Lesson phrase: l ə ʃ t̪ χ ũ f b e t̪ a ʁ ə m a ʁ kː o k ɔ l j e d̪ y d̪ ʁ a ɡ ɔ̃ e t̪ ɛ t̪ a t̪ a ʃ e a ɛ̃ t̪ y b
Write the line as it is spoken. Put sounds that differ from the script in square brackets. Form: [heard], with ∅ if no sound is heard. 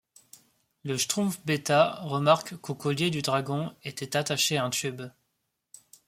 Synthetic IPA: l ə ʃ t̪ χ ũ f b e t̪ a ʁ ə m a ʁ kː o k ɔ l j e d̪ y d̪ ʁ a ɡ ɔ̃ e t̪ ɛ t̪ a t̪ a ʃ e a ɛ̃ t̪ y b